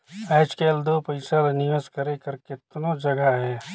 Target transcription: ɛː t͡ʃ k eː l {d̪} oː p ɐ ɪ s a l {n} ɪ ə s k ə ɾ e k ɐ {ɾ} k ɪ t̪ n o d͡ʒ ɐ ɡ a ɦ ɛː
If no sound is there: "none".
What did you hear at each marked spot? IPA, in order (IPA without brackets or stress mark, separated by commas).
d̪, n, ɾ